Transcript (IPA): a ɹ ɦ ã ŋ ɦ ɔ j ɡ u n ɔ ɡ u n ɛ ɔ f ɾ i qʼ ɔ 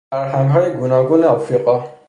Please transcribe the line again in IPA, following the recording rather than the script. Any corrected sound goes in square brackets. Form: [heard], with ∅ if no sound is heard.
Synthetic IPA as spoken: a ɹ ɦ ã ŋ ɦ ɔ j ɡ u n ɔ ɡ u n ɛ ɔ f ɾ i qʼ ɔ